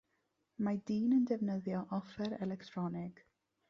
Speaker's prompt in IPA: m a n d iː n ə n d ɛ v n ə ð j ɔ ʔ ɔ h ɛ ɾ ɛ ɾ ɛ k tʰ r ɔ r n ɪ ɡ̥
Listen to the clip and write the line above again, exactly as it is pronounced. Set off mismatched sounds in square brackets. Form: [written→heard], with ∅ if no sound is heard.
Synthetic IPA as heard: m a [n→∅] d iː n ə n d ɛ v n ə ð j ɔ ʔ ɔ [h→f] ɛ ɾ ɛ [ɾ→l] ɛ k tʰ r ɔ [r→∅] n ɪ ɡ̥